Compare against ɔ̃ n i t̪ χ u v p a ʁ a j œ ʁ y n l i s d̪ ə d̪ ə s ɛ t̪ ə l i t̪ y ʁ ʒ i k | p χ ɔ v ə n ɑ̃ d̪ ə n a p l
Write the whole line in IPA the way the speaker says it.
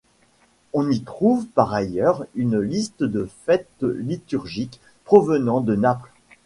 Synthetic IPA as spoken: ɔ̃ n i t̪ χ u v p a ʁ a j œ ʁ y n l i s t̪ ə d̪ ə f ɛ t̪ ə l i t̪ y ʁ ʒ i k | p χ ɔ v ə n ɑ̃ d̪ ə n a p l